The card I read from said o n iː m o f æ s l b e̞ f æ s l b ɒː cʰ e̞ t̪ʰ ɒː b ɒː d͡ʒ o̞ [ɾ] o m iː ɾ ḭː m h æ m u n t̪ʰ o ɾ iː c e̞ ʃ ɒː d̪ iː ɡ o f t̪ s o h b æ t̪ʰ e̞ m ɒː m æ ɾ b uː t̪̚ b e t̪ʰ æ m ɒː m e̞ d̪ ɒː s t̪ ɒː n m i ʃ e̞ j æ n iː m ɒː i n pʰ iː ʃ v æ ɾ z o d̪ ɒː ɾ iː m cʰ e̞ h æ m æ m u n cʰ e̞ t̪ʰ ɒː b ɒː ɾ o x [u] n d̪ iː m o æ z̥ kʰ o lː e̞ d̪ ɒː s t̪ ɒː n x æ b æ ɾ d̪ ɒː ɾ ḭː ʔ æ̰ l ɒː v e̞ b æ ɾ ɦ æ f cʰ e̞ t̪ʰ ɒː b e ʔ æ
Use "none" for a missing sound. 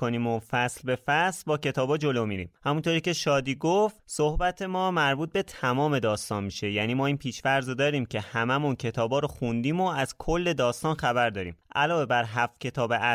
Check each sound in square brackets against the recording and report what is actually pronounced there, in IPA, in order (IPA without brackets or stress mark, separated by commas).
l, u